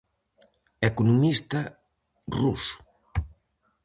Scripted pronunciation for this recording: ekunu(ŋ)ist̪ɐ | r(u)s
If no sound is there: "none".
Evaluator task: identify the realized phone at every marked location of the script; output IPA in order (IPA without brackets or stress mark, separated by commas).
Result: m, u